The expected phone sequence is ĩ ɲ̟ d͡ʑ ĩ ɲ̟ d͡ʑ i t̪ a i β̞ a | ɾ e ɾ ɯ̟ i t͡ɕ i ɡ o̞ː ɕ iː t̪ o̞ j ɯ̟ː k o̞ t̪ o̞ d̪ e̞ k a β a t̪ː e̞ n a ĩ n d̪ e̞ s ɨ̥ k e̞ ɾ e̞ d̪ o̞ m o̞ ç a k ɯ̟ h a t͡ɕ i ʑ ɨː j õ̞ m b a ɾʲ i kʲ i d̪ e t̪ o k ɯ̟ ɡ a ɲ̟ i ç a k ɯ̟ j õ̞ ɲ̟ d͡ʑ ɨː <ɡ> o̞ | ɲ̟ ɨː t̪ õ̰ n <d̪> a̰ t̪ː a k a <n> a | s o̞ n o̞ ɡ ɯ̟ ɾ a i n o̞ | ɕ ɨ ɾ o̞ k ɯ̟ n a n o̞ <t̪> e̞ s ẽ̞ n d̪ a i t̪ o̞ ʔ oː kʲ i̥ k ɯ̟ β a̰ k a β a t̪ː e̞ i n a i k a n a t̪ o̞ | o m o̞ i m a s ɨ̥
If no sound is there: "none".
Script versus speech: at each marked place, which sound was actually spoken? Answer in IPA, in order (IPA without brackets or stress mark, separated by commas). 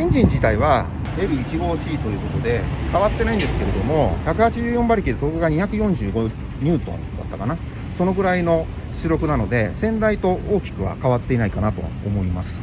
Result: ɡ, d̪, n, d̪